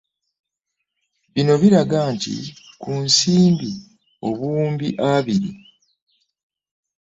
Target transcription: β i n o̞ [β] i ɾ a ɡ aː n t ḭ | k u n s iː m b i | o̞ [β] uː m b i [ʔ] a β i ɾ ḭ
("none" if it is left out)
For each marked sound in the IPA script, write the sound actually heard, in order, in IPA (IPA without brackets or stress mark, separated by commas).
β, β, ʔ